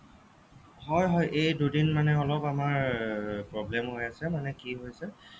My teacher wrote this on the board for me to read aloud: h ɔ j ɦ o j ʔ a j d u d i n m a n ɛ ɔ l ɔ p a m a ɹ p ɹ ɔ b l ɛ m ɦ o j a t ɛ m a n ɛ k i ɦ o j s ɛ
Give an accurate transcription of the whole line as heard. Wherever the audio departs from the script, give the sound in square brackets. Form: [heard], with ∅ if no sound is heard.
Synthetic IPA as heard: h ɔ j ɦ [ɔ] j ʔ [e] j d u d i n m a n ɛ ɔ l ɔ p a m a ɹ p ɹ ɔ b l ɛ m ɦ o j a [s] ɛ m a n ɛ k i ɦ o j s ɛ

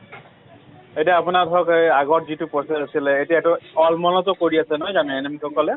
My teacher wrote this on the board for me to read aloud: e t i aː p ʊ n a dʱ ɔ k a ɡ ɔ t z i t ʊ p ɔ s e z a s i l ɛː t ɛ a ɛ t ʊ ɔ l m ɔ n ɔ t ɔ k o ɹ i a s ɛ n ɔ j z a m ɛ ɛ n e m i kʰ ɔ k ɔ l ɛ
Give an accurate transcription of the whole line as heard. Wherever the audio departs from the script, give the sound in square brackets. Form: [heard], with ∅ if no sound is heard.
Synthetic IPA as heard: e t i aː p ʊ n a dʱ ɔ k a ɡ ɔ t z i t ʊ p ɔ s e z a s i l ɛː t [i] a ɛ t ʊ ɔ l m ɔ n ɔ t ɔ k o ɹ i a s ɛ n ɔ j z a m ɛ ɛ n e m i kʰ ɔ k ɔ l ɛ

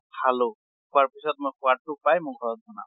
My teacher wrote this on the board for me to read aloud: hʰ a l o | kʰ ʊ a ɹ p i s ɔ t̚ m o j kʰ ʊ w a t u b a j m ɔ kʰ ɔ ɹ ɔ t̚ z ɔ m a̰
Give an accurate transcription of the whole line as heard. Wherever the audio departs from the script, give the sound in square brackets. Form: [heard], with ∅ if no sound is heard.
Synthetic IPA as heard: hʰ a l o | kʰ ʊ a ɹ p i s ɔ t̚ m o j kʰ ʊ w a t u [p] a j m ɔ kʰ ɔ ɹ ɔ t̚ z ɔ [n] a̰

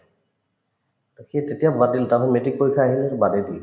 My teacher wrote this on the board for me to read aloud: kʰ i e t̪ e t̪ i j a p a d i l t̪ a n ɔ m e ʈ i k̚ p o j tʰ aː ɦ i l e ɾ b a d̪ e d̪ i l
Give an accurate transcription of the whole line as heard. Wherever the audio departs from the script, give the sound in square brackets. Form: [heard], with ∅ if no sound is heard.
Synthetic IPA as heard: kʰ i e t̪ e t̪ i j a [b] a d i l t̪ a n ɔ m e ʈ i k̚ p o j [kʰ] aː ɦ i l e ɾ b a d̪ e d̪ i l

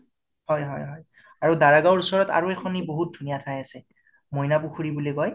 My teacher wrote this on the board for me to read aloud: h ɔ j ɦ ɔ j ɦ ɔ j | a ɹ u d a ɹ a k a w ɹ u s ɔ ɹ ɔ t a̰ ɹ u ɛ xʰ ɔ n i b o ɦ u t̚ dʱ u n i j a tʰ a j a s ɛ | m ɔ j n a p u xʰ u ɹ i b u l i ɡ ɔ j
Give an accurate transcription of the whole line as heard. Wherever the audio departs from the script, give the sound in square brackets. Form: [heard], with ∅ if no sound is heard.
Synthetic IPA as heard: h ɔ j ɦ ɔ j ɦ ɔ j | a ɹ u d a ɹ a [ɡ] a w ɹ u s ɔ ɹ ɔ t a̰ ɹ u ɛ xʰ ɔ n i b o ɦ u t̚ dʱ u n i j a tʰ a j a s ɛ | m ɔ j n a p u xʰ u ɹ i b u l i ɡ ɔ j

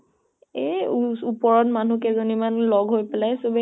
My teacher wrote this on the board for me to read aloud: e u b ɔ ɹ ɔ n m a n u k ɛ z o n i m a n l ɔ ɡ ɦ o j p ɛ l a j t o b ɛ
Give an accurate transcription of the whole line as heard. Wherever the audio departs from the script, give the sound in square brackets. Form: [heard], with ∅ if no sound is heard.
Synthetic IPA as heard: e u [p] ɔ ɹ ɔ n m a n u k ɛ z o n i m a n l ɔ ɡ ɦ o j p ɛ l a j [s] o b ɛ

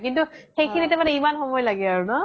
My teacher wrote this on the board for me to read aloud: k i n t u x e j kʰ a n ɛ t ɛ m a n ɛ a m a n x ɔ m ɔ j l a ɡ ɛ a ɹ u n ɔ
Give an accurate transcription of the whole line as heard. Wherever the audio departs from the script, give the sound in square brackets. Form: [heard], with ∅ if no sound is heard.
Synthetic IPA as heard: k i n t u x e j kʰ [i] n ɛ t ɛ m a n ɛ [i] m a n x ɔ m ɔ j l a ɡ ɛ a ɹ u n ɔ

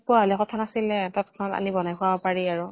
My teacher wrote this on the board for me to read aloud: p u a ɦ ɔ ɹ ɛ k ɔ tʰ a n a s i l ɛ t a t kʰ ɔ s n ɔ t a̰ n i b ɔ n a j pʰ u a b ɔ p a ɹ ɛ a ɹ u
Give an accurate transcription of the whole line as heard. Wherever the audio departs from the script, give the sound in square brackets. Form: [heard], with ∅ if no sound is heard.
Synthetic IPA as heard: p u a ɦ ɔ [l] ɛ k ɔ tʰ a n a s i l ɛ t a t kʰ ɔ [∅] n ɔ t a̰ n i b ɔ n a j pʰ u a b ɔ p a ɹ [i] a ɹ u

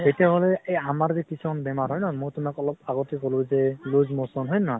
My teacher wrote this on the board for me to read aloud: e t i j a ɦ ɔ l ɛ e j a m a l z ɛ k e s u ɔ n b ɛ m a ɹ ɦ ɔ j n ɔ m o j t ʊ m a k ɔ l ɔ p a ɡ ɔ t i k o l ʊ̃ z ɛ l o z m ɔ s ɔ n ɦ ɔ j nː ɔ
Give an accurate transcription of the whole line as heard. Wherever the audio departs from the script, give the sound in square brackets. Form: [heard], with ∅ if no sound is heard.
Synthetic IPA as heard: e t i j a ɦ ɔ l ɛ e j a m a [ɹ] z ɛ k [i] s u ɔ n b ɛ m a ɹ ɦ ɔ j n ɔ m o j t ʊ m a k ɔ l ɔ p a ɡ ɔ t i k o l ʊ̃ z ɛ l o z m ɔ s ɔ n ɦ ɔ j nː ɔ

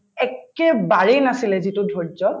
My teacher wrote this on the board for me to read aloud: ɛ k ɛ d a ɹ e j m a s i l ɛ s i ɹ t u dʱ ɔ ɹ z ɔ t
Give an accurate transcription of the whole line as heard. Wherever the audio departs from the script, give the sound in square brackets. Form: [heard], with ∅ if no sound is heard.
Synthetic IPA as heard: ɛ k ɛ [b] a ɹ e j [n] a s i l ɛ [z] i [∅] t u dʱ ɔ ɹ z ɔ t

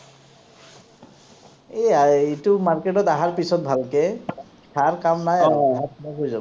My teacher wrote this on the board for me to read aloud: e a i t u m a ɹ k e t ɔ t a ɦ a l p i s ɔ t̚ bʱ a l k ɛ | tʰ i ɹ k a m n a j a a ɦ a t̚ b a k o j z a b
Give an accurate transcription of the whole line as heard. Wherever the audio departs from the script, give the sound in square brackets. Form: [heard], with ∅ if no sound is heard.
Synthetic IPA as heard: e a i t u m a ɹ k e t ɔ t a ɦ a [ɹ] p i s ɔ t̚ bʱ a l k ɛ | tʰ [a] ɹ k a m n a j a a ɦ a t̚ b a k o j z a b

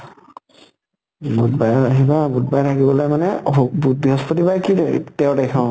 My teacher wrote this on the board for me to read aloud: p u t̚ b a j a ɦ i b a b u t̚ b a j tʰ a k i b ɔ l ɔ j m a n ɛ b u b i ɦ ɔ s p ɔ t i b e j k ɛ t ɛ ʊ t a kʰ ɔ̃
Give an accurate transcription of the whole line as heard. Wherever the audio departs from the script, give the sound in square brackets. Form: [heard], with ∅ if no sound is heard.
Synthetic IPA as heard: [b] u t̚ b a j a ɦ i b a b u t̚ b a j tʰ a k i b ɔ l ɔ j m a n ɛ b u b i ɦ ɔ s p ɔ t i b [a] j k [i] t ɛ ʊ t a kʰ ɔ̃

